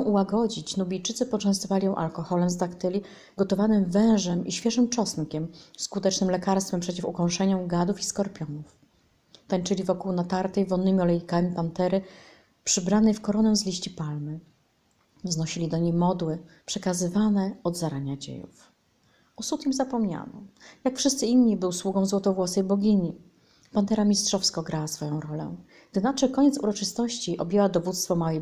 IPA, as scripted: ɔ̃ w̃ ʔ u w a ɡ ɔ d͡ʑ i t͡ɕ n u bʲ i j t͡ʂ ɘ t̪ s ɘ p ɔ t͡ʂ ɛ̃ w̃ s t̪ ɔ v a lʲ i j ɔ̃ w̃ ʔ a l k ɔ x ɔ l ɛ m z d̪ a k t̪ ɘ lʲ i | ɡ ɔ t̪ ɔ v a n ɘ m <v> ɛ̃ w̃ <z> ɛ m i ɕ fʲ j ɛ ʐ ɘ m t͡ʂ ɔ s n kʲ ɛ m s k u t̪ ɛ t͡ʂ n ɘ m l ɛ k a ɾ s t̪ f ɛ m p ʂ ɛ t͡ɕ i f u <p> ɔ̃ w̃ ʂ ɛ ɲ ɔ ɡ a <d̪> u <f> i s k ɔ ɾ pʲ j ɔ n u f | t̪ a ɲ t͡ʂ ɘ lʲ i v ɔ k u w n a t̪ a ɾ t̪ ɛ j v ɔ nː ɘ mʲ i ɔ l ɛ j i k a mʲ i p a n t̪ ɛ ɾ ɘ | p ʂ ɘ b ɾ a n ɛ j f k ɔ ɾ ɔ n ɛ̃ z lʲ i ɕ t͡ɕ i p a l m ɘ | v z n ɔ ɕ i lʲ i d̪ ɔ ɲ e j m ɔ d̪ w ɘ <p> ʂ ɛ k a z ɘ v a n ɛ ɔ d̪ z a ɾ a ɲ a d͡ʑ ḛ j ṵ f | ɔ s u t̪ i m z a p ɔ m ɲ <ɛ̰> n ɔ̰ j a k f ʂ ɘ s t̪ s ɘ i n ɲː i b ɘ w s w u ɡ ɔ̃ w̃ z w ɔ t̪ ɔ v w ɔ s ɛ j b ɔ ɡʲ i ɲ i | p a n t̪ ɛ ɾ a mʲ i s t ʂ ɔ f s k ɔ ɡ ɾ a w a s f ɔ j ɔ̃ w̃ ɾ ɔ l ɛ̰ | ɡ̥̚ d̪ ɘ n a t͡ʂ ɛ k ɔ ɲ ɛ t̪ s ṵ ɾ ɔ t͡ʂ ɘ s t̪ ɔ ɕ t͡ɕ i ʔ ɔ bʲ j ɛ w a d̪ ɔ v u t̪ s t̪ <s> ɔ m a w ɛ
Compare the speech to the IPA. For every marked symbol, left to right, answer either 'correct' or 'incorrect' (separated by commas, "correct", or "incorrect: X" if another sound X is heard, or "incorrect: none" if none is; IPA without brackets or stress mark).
correct, incorrect: ʐ, incorrect: k, correct, correct, correct, incorrect: a̰, incorrect: f